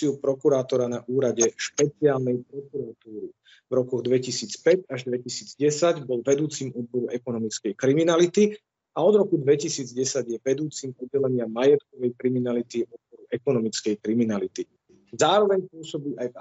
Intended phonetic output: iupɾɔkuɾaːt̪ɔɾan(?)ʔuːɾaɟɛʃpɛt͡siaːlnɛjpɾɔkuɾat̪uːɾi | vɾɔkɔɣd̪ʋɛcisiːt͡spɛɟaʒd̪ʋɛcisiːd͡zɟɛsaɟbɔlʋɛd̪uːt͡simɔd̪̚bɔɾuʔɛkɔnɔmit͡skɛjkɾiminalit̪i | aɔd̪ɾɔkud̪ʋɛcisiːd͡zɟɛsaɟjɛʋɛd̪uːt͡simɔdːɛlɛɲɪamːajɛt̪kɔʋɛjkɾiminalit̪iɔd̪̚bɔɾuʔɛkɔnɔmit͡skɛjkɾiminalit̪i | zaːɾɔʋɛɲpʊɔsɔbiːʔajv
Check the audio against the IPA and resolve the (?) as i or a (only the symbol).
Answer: a